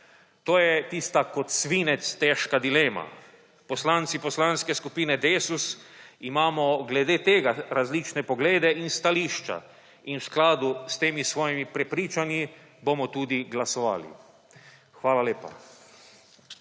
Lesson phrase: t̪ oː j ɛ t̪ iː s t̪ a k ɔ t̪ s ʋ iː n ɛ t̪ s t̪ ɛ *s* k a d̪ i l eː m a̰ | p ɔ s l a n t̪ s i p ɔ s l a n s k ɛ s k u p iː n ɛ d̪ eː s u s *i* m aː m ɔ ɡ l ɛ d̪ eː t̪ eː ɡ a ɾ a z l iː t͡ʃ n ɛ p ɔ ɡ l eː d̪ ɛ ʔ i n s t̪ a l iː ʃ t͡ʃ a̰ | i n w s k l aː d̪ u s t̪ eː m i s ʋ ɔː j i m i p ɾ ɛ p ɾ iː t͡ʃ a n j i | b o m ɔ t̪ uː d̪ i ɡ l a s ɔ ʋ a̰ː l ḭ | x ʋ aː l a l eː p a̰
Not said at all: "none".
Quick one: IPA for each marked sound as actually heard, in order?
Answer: ʃ, i

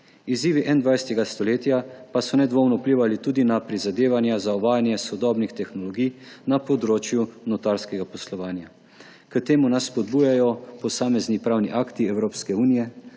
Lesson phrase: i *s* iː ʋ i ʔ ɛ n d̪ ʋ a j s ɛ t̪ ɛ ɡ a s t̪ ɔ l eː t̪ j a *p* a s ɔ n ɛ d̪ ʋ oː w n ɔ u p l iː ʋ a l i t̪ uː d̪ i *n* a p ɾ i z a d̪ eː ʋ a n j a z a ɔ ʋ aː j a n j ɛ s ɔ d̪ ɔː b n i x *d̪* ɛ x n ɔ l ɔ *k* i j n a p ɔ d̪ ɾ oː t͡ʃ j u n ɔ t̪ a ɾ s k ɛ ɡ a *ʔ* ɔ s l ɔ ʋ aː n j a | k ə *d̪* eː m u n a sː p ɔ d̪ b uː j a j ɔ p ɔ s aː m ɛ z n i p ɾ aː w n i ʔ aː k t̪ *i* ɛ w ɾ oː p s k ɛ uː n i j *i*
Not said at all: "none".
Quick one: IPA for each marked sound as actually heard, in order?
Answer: z, p, n, t̪, ɡ, p, t̪, i, ɛ

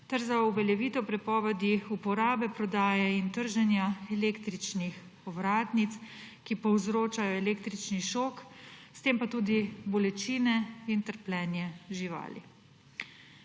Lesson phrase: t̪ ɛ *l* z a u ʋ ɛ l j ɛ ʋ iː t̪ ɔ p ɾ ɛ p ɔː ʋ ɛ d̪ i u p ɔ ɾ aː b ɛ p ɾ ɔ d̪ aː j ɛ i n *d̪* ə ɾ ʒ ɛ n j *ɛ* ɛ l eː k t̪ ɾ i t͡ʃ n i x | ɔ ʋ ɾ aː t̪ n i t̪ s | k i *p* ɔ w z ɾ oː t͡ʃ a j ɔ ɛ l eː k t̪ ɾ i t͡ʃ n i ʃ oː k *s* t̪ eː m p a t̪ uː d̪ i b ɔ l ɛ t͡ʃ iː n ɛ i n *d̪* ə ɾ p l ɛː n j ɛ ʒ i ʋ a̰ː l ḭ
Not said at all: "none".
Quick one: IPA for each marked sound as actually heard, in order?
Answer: ɾ, t̪, a, p, s, t̪

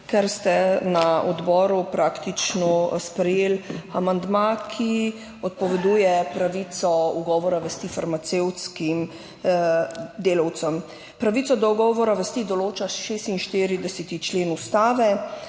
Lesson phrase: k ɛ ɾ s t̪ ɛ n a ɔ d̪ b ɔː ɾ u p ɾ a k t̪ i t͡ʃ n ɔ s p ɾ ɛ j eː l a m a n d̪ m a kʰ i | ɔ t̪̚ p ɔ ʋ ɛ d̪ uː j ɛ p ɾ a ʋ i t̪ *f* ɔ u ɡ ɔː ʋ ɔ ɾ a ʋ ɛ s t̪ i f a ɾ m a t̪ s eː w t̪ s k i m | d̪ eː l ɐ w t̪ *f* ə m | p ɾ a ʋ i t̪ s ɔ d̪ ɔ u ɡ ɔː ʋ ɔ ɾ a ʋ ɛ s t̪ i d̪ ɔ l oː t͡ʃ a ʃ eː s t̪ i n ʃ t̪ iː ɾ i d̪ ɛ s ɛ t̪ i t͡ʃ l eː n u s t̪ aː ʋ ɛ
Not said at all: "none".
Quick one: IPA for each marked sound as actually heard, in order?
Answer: s, s

